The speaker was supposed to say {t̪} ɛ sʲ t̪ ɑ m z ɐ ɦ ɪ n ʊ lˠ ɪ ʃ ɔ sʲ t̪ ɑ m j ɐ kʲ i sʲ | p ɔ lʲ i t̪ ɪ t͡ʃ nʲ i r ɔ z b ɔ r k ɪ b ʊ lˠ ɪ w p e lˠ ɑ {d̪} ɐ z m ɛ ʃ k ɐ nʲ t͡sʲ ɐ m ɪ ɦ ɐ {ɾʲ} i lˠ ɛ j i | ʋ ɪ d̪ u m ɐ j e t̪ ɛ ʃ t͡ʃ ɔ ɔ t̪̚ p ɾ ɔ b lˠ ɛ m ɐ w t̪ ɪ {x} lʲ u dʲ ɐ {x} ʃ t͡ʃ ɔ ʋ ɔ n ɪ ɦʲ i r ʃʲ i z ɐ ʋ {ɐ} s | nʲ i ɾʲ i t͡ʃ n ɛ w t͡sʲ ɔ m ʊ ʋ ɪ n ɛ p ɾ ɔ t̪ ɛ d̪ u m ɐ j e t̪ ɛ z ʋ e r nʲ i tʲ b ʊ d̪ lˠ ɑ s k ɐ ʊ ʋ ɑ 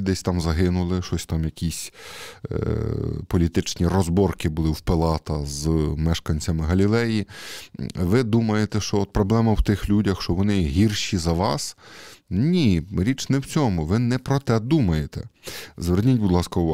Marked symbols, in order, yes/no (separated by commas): no, no, no, yes, yes, no